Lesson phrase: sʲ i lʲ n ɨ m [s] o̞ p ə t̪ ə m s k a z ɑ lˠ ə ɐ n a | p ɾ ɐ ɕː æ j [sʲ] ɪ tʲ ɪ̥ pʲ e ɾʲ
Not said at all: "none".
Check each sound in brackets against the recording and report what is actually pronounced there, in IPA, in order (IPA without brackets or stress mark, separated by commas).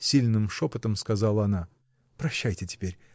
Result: ʂ, tʲ